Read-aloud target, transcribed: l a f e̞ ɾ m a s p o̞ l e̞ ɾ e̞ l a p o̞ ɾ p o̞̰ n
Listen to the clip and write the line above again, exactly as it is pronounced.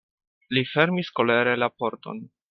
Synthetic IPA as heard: l i f e̞ ɾ m i s k o̞ l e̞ ɾ e̞ l a p o̞ ɾ t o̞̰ n

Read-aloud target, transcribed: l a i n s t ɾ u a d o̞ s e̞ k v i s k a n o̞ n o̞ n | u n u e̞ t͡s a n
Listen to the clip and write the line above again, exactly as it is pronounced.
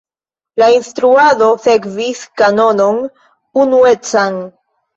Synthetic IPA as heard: l a i n s t ɾ u a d o̞ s e̞ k v i s k a n o̞ n o̞ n | u n u e̞ t͡s a n

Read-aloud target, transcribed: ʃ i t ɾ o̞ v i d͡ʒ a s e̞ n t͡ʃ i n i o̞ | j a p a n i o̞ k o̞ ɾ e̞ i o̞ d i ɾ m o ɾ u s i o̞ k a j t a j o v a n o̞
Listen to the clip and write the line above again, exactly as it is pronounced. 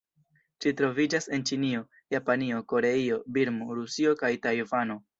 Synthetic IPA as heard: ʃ i t ɾ o̞ v i d͡ʒ a s e̞ n t͡ʃ i n i o̞ | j a p a n i o̞ k o̞ ɾ e̞ i o̞ b i ɾ m o ɾ u s i o̞ k a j t a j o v a n o̞

